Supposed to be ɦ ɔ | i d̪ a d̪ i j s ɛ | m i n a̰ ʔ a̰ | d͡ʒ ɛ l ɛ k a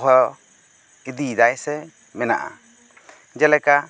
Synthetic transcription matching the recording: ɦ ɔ | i d̪ i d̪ a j s ɛ | m ɛ n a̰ ʔ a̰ | d͡ʒ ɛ l ɛ k a

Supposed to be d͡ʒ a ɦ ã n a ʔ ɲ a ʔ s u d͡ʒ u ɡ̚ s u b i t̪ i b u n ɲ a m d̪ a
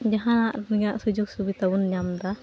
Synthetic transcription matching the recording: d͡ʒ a ɦ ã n a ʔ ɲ a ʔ s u d͡ʒ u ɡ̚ s u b i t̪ a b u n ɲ a m d̪ a

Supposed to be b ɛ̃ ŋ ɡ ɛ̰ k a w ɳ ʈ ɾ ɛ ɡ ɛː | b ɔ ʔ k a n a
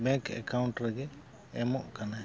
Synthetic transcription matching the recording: b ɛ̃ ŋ k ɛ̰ k a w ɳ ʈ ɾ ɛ ɡ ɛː | m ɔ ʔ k a n a

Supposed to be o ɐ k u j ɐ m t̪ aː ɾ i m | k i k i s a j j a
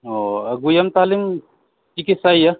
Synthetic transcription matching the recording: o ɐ ɡ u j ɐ m t̪ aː l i m | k i k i s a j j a

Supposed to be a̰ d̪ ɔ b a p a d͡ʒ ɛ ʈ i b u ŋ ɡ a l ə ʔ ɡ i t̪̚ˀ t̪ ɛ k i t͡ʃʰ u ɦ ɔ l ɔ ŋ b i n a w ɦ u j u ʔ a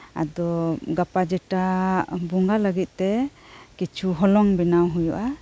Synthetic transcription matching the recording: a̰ d̪ ɔ ɡ a p a d͡ʒ ɛ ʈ a b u ŋ ɡ a l ə ɡ i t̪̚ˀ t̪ ɛ k i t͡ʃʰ u ɦ ɔ l ɔ ŋ b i n a w ɦ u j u ʔ a

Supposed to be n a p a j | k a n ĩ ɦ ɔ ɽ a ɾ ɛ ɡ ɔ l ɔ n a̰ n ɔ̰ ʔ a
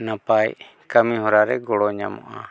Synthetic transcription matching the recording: n a p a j | k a m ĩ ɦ ɔ ɾ a ɾ ɛ ɡ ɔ ɽ ɔ ɲ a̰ m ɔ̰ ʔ a

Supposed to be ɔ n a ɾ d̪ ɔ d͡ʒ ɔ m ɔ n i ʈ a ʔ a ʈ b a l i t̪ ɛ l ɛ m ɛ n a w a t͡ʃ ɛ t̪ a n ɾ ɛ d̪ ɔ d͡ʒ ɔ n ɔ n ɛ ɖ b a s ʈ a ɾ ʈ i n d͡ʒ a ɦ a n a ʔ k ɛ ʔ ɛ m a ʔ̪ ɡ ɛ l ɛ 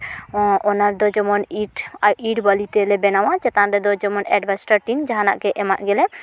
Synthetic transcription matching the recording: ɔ n a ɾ d̪ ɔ d͡ʒ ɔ m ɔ n i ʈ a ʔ i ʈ b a l i t̪ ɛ l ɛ b ɛ n a w a t͡ʃ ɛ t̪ a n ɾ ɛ d̪ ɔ d͡ʒ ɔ m ɔ n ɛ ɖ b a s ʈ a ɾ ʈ i n d͡ʒ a ɦ a n a ʔ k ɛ ʔ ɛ m a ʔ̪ ɡ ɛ l ɛ

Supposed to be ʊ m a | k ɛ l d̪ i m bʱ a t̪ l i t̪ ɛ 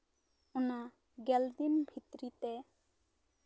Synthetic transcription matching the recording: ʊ n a | ɡ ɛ l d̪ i m bʱ i t̪ ɾ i t̪ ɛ

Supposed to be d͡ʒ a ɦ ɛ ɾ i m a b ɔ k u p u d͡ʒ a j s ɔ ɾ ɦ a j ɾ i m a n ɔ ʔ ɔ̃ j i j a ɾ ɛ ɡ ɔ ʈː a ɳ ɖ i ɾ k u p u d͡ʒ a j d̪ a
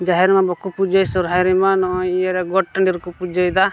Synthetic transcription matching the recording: d͡ʒ a ɦ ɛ ɾ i m a b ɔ k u p u d͡ʒ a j s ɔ ɾ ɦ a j ɾ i m a n ɔ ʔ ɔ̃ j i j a ɾ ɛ ɡ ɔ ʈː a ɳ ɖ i ɾ k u p u d͡ʒ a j d̪ a

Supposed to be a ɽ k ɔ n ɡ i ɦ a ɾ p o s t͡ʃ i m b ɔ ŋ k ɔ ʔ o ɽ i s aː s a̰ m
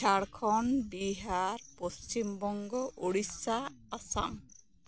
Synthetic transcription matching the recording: a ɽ kʰ ɔ n b i ɦ a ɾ p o s t͡ʃ i m b ɔ ŋ ɡ ɔ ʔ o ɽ i s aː s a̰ m

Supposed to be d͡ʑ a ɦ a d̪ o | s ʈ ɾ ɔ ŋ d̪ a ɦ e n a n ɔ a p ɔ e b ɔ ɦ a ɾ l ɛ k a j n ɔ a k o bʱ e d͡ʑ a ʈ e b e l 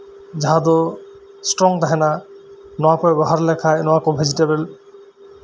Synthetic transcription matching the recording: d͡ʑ a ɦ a d̪ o | s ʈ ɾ ɔ ŋ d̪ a ɦ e n a n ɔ a p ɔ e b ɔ ɦ a ɾ l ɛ kʰ a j n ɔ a k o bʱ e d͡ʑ i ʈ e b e l

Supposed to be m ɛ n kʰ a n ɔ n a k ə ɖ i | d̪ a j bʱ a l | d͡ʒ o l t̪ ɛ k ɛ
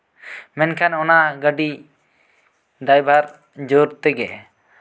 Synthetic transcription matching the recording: m ɛ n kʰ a n ɔ n a ɡ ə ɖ i | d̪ a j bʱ a ɾ | d͡ʒ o ɾ t̪ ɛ ɡ ɛ

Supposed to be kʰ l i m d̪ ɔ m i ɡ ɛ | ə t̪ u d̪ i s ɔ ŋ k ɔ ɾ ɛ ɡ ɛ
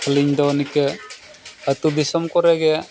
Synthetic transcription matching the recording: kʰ l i ɲ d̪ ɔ n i k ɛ | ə t̪ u d̪ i s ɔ m k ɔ ɾ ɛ ɡ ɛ

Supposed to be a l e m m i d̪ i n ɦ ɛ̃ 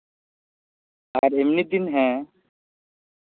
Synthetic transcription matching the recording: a ɾ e m n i d̪ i n ɦ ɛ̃

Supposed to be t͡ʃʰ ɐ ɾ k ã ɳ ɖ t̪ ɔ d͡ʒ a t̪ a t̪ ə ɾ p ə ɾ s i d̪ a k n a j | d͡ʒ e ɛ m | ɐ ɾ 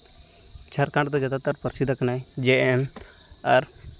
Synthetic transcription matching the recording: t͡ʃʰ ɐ ɾ k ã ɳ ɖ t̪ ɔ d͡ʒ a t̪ a t̪ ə ɾ p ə ɾ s i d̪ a k n a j | d͡ʒ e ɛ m | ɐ ɾ

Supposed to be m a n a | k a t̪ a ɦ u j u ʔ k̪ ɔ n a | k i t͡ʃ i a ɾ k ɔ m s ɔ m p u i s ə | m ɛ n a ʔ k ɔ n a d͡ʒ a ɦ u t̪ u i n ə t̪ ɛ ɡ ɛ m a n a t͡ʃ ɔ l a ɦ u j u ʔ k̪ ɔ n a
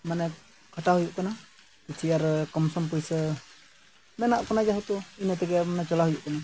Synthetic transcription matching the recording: m a n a | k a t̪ a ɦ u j u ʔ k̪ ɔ n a | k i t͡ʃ i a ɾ k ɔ m s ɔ m p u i s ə | m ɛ n a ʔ k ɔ n a d͡ʒ a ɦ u t̪ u i n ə t̪ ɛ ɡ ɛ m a n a t͡ʃ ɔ l a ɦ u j u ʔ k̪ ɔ n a

